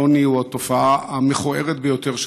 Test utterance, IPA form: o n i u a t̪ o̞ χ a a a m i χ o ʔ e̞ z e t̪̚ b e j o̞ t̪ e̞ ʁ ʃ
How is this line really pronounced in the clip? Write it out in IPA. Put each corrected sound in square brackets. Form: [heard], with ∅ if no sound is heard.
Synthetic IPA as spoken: o n i u a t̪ o̞ [f] a a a m [e] χ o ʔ e̞ [ʁ] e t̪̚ b e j o̞ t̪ e̞ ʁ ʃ